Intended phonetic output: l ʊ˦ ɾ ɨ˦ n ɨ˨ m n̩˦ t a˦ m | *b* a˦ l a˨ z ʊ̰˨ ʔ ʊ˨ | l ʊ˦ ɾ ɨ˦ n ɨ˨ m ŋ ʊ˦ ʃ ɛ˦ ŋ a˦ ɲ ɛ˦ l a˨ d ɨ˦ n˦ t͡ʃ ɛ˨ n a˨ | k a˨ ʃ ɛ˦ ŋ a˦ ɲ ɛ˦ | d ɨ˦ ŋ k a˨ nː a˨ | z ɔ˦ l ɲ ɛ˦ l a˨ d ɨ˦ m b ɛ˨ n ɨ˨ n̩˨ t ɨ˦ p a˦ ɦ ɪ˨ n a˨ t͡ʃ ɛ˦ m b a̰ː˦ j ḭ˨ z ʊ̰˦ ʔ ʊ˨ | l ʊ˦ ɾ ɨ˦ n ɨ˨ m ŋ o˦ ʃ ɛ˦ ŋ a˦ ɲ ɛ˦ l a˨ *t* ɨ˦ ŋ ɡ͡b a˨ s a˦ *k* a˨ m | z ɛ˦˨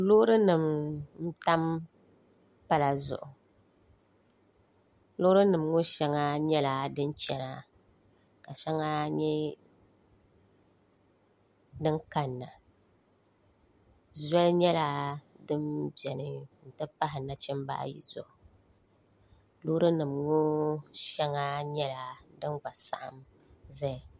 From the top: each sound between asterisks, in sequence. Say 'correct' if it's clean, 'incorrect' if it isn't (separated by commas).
incorrect, incorrect, incorrect